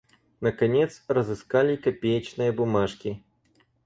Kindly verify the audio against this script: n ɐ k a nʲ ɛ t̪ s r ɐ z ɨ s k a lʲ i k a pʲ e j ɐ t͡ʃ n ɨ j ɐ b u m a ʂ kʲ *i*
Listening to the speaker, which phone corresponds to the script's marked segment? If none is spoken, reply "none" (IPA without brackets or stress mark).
i